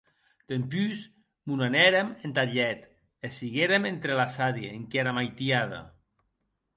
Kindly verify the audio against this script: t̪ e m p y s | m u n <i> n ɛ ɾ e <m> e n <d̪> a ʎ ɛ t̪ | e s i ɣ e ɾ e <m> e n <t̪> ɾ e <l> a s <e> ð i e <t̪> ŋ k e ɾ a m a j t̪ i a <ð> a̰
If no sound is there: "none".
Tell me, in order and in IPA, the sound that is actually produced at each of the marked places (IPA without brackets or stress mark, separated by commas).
a, m, t̪, m, t̪, l, a, none, ð